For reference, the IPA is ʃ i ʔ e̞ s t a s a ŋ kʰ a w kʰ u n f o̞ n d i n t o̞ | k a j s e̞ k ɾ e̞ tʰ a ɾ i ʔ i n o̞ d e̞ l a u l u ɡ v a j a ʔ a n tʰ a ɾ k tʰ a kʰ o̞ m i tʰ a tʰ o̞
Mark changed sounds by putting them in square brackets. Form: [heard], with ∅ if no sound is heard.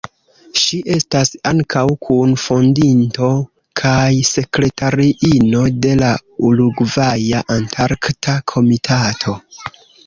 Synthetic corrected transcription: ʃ i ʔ e̞ s t a s a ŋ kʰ a w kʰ u n f o̞ n d i n t o̞ | [kʰ] a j s e̞ k ɾ e̞ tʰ a ɾ i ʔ i n o̞ d e̞ l a u l u ɡ v a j a ʔ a n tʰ a ɾ k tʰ a kʰ o̞ m i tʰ a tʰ o̞